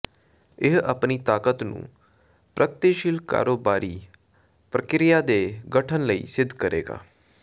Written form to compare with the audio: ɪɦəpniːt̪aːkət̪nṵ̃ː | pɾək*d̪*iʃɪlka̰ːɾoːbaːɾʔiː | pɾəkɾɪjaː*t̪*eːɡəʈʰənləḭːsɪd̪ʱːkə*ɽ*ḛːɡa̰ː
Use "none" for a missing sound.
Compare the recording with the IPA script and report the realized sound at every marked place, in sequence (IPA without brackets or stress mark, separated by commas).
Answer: t̪, d̪, ɾ